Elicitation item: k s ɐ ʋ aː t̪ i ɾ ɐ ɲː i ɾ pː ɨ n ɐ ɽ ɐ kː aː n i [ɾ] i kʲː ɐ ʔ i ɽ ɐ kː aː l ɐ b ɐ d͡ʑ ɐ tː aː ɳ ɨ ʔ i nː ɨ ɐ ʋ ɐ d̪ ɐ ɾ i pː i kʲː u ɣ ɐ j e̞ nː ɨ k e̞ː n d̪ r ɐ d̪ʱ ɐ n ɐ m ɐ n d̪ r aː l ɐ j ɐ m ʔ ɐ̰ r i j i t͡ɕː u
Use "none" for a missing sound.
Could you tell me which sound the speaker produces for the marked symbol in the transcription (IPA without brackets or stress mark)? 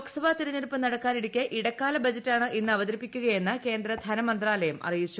ɽ